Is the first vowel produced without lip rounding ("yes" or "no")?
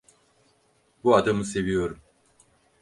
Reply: no